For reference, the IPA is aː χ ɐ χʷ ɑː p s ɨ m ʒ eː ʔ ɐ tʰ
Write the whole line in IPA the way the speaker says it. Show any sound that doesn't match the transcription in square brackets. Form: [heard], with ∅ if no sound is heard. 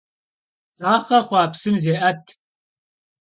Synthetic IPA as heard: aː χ ɐ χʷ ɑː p s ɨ m [z] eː ʔ ɐ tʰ